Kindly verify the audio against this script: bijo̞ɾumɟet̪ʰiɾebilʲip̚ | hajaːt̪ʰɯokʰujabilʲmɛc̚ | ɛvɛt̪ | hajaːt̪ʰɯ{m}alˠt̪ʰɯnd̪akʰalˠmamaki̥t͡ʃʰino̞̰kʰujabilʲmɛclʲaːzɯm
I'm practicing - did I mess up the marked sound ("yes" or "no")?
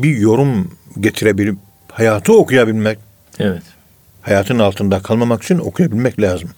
yes